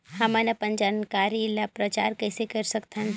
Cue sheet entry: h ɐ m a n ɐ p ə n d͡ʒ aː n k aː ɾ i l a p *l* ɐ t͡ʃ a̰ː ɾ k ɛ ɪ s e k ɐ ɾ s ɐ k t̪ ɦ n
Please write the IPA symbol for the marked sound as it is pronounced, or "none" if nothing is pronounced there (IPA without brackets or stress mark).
ɾ